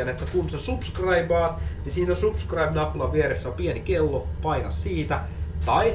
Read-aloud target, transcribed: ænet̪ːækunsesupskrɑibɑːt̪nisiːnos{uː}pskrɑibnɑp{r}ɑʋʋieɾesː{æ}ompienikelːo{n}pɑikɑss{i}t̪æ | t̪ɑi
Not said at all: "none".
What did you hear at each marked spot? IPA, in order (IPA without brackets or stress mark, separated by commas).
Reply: u, l, æ, none, iː